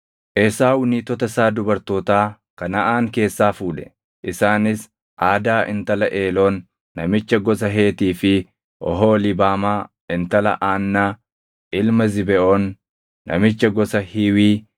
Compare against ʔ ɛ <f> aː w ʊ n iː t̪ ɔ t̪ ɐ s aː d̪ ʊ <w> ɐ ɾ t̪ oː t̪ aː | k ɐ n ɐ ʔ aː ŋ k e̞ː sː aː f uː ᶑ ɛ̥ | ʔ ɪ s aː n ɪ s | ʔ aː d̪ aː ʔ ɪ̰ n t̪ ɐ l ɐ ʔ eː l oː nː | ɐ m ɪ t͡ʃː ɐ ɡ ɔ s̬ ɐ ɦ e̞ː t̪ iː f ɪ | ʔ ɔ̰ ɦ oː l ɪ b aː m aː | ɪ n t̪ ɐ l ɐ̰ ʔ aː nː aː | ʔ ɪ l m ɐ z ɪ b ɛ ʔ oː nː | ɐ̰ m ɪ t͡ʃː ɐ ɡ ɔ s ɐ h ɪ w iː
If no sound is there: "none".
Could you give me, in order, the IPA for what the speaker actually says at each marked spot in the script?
s, b

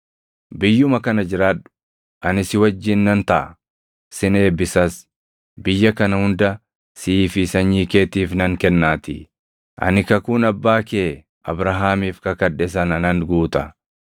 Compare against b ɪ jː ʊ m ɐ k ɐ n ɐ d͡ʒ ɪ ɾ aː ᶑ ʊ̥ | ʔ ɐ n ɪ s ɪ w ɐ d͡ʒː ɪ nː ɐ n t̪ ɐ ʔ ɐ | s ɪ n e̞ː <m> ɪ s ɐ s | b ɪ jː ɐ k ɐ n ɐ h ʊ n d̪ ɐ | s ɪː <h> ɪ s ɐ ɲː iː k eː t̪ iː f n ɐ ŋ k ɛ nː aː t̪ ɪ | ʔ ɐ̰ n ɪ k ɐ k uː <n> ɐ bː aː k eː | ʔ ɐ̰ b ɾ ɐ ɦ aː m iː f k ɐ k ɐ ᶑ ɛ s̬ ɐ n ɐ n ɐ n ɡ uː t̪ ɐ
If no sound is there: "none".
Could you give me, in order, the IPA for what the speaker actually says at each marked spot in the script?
b, f, n

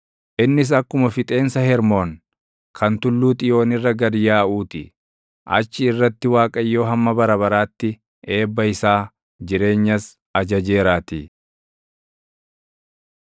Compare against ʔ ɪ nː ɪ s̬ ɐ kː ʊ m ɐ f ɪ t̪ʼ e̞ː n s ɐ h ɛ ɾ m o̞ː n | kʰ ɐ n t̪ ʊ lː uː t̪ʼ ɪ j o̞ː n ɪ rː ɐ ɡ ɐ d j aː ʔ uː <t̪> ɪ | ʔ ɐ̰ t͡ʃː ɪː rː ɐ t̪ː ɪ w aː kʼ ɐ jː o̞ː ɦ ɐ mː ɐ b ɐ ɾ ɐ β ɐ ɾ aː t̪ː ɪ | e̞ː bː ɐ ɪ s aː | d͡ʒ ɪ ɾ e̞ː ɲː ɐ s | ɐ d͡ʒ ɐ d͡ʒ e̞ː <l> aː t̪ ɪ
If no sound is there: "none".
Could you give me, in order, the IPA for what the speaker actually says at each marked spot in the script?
t̪, ɾ

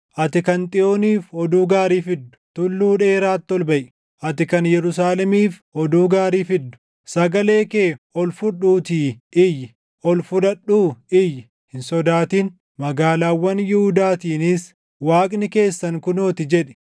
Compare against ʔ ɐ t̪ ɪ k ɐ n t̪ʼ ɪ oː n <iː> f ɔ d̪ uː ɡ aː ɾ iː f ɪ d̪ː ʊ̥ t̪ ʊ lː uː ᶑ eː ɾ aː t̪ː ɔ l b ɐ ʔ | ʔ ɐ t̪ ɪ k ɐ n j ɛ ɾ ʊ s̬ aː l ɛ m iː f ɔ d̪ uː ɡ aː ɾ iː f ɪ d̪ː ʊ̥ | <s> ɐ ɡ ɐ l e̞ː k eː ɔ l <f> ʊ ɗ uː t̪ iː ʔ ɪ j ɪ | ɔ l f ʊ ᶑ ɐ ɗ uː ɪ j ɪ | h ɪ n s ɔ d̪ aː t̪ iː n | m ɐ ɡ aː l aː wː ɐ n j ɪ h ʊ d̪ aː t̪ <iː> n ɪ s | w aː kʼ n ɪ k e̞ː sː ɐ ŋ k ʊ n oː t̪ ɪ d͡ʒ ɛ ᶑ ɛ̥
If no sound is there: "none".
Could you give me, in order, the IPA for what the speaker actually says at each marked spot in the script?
iː, s, f, iː

